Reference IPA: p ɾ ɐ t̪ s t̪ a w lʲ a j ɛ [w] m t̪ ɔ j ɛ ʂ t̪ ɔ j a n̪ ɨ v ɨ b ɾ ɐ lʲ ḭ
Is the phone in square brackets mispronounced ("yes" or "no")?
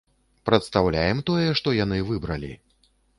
yes